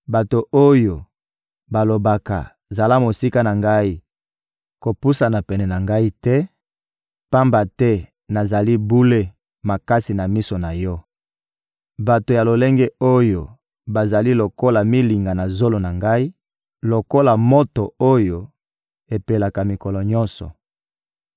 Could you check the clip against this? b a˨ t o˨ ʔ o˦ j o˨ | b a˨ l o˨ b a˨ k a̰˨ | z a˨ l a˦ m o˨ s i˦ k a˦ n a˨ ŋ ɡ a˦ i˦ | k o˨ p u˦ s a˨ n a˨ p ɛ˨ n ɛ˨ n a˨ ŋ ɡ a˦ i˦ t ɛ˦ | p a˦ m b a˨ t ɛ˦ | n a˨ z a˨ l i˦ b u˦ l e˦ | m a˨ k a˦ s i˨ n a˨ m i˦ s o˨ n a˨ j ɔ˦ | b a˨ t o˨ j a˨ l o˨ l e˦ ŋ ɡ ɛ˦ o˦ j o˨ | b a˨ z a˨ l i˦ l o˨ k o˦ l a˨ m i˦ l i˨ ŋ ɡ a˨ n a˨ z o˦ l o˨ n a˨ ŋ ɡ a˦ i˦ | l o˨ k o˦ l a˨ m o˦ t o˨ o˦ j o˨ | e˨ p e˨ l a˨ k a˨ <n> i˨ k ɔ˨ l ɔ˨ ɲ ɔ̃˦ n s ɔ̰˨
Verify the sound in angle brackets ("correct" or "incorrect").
incorrect